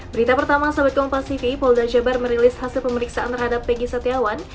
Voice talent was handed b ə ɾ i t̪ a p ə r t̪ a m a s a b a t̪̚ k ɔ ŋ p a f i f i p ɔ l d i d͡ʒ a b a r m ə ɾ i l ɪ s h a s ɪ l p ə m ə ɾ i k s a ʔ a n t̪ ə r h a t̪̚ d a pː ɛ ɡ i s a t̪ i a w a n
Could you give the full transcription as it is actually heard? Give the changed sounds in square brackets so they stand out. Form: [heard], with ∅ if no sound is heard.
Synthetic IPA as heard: b ə ɾ i t̪ a p ə r t̪ a m a s a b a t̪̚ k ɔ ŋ p a [s] i f i p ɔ l d [a] d͡ʒ a b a r m ə ɾ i l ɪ s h a s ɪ l p ə m ə ɾ i k s a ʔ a n t̪ ə r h a [∅] d a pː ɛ ɡ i s a t̪ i a w a n